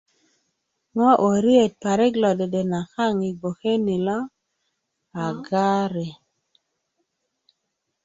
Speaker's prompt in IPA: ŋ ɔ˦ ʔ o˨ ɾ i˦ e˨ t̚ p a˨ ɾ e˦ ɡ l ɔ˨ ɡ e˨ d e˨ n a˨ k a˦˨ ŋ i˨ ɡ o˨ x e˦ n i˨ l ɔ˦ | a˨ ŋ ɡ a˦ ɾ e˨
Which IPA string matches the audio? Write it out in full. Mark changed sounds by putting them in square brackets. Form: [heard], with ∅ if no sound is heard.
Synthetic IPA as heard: ŋ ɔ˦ ʔ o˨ ɾ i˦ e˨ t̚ p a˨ ɾ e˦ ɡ l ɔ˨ [d] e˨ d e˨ n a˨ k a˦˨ ŋ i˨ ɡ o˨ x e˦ n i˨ l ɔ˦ | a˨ [∅] ɡ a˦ ɾ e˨